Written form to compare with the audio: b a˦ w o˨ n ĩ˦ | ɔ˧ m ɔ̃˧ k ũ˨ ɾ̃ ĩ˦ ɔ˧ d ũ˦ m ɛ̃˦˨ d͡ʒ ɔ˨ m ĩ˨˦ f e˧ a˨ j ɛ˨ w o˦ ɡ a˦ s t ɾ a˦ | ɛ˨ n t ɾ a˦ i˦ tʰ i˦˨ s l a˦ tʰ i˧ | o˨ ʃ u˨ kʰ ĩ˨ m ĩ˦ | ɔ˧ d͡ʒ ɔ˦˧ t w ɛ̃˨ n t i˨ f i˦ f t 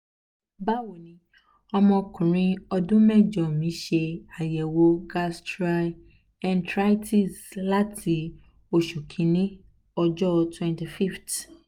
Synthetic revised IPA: b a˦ w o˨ n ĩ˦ | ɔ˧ m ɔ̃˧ k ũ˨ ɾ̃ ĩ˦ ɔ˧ d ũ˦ m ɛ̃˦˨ d͡ʒ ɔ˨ m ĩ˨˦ ʃ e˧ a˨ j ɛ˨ w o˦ ɡ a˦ s t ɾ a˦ | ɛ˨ n t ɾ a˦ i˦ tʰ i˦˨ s l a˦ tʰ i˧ | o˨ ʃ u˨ kʰ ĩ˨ n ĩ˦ | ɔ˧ d͡ʒ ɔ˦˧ t w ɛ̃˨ n t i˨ f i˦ f t